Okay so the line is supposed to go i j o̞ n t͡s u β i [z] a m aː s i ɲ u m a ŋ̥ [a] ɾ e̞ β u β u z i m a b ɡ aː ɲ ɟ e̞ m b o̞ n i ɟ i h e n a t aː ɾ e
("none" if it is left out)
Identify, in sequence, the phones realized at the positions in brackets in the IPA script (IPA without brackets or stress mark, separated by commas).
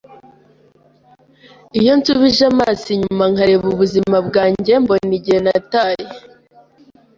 ʒ, a